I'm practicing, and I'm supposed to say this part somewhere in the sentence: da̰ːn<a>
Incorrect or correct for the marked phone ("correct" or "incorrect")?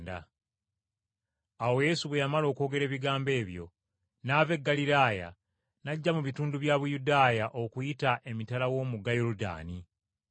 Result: incorrect